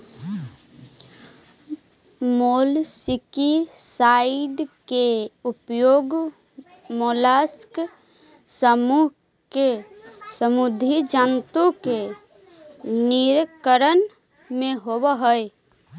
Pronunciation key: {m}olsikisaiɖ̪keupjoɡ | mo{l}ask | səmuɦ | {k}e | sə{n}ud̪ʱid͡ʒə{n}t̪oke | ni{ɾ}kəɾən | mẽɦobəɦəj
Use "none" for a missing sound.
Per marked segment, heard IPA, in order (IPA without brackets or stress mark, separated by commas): m, l, k, m, n, ɾ